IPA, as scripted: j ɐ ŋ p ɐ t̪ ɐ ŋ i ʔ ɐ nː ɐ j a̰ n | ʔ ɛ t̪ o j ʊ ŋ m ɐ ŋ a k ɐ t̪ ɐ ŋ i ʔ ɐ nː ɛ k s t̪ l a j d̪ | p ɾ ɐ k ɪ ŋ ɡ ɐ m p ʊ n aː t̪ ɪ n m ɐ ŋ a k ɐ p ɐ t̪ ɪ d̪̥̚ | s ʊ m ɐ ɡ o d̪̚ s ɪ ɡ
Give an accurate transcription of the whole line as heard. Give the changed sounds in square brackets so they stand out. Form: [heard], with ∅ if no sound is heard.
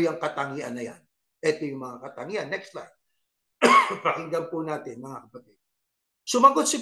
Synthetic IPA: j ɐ ŋ [k] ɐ t̪ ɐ ŋ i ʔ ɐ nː ɐ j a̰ n | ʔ ɛ t̪ o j ʊ ŋ m ɐ ŋ a k ɐ t̪ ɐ ŋ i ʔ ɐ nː ɛ k s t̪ l a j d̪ | p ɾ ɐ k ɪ ŋ ɡ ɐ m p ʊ n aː t̪ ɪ n m ɐ ŋ a k ɐ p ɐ t̪ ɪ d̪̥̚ | s ʊ m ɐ ɡ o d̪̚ s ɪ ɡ

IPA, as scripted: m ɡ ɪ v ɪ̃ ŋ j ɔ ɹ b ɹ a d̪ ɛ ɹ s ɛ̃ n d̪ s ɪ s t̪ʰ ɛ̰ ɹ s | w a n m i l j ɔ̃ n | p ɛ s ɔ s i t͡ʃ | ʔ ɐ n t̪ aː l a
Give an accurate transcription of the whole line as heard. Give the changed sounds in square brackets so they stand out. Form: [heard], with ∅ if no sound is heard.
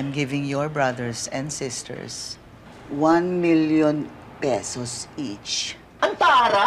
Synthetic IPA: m ɡ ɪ v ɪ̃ ŋ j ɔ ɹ b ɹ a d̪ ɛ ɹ s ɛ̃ n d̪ s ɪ s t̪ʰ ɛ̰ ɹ s | w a n m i l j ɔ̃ n | p ɛ s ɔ s i t͡ʃ | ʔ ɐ n t̪ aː [ɾ] a

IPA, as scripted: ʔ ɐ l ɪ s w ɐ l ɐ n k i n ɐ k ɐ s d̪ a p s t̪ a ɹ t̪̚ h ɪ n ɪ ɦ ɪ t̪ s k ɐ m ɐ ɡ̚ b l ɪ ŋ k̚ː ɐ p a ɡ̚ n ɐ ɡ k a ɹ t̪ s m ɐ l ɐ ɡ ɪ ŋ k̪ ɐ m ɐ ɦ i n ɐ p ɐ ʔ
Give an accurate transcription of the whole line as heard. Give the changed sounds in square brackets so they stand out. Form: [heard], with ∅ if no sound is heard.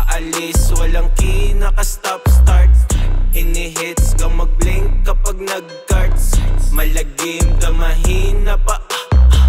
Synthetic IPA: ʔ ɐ l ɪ s w ɐ l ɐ [ŋ] k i n ɐ k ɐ s [t̪] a p s t̪ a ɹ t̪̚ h ɪ n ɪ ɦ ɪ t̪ s k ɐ m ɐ ɡ̚ b l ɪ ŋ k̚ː ɐ p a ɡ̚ n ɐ ɡ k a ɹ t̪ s m ɐ l ɐ ɡ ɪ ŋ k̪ ɐ m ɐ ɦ i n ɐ p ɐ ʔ

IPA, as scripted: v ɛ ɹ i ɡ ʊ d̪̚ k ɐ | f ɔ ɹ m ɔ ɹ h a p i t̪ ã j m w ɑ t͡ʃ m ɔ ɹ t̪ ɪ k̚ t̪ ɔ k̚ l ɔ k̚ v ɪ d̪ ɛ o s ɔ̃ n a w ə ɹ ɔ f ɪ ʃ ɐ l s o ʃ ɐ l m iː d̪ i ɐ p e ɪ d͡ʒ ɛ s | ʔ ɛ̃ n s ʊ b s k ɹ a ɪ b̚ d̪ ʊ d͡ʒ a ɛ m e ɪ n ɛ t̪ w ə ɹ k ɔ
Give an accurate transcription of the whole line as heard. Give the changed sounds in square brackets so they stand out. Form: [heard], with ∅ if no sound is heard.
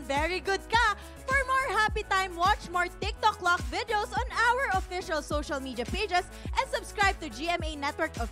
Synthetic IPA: v ɛ ɹ i ɡ ʊ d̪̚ k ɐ | f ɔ ɹ m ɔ ɹ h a p i t̪ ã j m w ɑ t͡ʃ m ɔ ɹ t̪ ɪ k̚ t̪ ɔ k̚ l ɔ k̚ v ɪ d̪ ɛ o s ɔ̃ n a w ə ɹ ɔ f ɪ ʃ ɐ l s o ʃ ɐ l m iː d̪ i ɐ p e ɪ d͡ʒ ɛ s | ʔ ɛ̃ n s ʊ b s k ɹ a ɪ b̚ [t̪] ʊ d͡ʒ [i] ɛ m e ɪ n ɛ t̪ w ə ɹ k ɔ

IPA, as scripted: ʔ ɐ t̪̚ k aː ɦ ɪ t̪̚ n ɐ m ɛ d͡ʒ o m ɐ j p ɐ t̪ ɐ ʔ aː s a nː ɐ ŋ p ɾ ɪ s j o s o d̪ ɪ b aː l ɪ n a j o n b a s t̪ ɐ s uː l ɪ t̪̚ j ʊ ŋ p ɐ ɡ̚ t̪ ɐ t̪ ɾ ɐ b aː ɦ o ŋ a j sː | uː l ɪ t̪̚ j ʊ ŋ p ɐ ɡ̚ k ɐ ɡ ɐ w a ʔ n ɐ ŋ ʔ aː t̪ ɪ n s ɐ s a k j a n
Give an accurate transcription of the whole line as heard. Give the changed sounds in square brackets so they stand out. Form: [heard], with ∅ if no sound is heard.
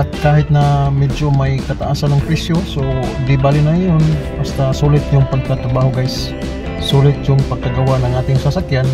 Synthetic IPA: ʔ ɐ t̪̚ k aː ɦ ɪ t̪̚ n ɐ m ɛ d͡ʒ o m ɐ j [k] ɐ t̪ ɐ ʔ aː s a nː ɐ ŋ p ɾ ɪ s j o s o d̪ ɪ b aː l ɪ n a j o n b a s t̪ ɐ s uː l ɪ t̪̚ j ʊ ŋ p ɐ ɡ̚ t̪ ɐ t̪ ɾ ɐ b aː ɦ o [ɡ] a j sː | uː l ɪ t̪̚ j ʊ ŋ p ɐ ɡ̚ k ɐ ɡ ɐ w a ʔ n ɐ ŋ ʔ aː t̪ ɪ [ŋ] s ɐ s a k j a n

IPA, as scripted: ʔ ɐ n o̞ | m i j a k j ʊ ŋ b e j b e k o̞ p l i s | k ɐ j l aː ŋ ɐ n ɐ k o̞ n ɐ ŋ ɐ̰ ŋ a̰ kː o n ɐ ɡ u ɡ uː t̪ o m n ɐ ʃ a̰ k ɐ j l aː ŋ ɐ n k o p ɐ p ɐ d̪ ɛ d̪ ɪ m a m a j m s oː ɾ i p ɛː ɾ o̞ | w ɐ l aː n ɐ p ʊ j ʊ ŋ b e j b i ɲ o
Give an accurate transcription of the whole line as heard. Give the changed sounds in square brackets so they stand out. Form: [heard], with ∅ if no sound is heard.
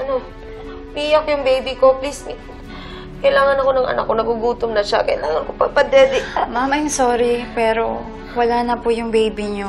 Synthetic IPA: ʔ ɐ n o̞ | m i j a k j ʊ ŋ b e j b [i] k o̞ p l i s | k ɐ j l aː ŋ ɐ n ɐ k o̞ n ɐ ŋ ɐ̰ [n] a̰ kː o n ɐ ɡ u ɡ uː t̪ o m n ɐ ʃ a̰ k ɐ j l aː ŋ ɐ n k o p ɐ p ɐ d̪ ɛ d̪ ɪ m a m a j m s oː ɾ i p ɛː ɾ o̞ | w ɐ l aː n ɐ p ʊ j ʊ ŋ b e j b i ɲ o

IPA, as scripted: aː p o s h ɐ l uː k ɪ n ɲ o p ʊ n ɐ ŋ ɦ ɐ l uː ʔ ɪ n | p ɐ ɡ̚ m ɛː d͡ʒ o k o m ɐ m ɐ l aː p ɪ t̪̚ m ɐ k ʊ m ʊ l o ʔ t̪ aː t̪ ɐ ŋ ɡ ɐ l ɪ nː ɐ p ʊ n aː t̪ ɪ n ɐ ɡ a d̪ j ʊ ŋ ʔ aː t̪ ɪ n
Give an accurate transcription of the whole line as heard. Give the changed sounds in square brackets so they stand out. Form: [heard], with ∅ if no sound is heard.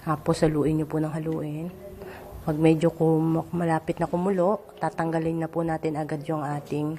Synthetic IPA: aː p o s h ɐ l uː [ʔ] ɪ n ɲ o p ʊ n ɐ ŋ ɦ ɐ l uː ʔ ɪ n | p ɐ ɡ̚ m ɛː d͡ʒ o k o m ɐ m ɐ l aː p ɪ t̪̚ [n] ɐ k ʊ m ʊ l o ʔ t̪ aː t̪ ɐ ŋ ɡ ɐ l ɪ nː ɐ p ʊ n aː t̪ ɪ n ɐ ɡ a d̪ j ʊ ŋ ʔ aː t̪ ɪ [ŋ]

